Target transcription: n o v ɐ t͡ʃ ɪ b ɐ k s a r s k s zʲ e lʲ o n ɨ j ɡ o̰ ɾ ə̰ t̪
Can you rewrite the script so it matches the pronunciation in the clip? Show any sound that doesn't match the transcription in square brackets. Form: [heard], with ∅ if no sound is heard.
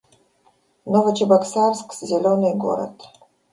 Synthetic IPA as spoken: n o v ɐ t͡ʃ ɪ b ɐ k s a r s k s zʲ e lʲ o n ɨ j ɡ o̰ ɾ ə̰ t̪